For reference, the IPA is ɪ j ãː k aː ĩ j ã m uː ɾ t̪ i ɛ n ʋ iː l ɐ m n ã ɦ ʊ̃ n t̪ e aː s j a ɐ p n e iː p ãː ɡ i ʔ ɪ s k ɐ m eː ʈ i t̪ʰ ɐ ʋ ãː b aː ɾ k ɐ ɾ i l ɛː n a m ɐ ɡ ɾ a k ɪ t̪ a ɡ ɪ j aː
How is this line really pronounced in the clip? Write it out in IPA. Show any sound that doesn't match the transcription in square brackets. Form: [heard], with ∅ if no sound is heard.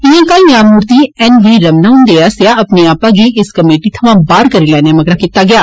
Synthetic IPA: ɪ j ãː k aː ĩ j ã m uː ɾ t̪ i ɛ n ʋ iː [ɾ] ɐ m n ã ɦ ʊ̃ n [d̪] e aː s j a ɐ p n e [aː] p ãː ɡ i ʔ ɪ s k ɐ m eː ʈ i t̪ʰ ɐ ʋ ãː b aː ɾ k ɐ ɾ i l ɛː n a m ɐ ɡ ɾ a k ɪ t̪ a ɡ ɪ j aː